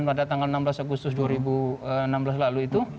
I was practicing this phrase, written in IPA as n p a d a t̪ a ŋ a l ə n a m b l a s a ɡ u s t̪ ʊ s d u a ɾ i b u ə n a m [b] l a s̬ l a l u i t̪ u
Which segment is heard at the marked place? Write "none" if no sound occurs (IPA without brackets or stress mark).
b